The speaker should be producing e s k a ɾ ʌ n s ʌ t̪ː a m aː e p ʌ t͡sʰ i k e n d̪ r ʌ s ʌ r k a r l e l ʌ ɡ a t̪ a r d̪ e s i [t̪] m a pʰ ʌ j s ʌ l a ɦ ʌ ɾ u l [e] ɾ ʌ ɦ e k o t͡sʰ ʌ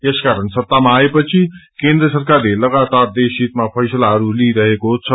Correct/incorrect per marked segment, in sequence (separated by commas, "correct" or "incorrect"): correct, incorrect